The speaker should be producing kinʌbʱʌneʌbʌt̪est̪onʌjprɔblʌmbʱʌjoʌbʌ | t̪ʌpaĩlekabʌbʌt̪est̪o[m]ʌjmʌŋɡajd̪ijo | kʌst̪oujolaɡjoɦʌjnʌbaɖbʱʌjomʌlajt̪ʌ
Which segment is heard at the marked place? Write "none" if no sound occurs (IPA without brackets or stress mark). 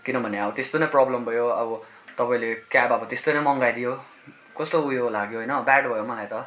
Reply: n